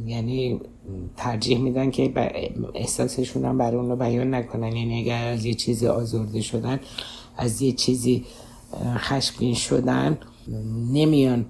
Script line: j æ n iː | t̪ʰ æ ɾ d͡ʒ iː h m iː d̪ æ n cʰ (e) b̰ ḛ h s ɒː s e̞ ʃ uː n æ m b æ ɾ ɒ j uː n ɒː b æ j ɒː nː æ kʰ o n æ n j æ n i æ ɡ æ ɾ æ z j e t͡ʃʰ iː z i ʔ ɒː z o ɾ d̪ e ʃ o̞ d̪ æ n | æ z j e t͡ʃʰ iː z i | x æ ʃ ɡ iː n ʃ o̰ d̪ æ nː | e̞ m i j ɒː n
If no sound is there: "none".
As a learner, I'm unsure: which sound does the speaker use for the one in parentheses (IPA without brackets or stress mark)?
e